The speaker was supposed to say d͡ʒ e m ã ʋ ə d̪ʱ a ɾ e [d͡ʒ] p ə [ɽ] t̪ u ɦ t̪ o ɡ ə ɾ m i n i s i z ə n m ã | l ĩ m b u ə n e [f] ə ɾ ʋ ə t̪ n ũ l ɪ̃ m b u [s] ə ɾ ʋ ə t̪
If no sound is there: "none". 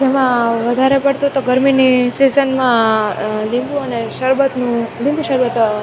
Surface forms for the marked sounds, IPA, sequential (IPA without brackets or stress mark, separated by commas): none, ɽ, ʃ, ʃ